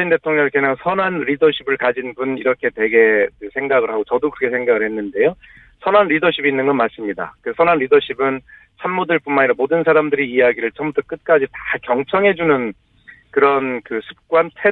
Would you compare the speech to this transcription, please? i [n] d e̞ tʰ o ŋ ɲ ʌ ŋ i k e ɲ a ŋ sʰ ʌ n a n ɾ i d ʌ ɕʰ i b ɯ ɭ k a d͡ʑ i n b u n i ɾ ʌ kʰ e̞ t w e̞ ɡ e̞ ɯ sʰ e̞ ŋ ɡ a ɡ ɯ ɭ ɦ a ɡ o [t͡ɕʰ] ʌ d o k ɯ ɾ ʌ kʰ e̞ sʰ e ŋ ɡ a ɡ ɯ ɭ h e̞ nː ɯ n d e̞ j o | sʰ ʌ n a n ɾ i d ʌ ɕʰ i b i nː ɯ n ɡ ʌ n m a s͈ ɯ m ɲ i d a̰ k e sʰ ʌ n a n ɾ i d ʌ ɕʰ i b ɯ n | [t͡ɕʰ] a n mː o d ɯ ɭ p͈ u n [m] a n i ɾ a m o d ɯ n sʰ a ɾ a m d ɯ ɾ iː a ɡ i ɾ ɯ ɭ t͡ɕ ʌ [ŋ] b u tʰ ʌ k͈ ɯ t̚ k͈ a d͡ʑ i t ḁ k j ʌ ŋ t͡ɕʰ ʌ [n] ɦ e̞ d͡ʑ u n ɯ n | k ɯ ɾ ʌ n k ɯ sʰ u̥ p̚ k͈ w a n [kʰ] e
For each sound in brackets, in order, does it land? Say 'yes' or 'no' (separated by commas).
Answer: yes, no, yes, yes, no, no, no